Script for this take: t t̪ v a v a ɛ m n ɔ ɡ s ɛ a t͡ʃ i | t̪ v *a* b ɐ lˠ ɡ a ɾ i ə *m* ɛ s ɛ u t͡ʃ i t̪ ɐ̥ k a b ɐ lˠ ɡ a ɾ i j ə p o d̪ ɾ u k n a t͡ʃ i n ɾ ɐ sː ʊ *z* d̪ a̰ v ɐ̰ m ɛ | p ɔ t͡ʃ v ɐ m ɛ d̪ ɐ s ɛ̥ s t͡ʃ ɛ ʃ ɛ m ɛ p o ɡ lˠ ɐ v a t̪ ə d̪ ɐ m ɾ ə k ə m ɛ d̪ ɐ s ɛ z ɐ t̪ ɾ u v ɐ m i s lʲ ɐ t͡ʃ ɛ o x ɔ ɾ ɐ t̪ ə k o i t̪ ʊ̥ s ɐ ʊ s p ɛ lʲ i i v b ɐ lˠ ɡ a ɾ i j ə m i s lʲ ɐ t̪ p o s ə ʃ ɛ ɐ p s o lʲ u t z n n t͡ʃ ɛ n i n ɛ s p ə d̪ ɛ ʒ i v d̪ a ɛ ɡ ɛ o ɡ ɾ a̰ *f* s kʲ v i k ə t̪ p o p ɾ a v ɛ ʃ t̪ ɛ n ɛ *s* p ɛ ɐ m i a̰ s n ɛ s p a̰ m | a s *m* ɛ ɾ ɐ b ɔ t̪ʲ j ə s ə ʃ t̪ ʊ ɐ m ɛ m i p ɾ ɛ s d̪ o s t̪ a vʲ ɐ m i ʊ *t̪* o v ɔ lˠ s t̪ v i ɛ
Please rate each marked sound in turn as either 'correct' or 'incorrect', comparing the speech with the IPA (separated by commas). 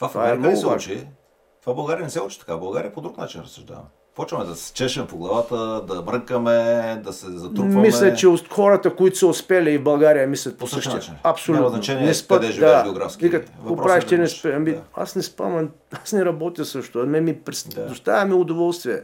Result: correct, incorrect, incorrect, correct, correct, incorrect, incorrect